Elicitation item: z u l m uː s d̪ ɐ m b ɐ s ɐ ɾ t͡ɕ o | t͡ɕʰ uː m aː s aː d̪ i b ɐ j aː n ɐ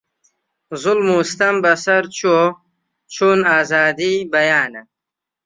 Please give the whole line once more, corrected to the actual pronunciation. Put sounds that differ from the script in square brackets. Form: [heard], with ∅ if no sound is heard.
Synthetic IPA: z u l m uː s [t̪] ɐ m b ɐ s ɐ ɾ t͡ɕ o | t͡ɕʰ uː [n] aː [z] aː d̪ i b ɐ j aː n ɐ